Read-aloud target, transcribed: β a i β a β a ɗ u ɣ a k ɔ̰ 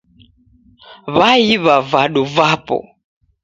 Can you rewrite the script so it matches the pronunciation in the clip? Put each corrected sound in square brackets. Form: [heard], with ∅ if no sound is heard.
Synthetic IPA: β a i β a [v] a ɗ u [v] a [p] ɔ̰